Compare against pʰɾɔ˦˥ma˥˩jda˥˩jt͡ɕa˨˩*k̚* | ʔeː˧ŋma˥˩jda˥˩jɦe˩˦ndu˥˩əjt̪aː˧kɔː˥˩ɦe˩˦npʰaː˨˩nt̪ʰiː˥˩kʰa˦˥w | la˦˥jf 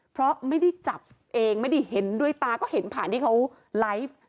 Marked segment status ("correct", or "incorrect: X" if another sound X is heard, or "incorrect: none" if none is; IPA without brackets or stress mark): incorrect: p̚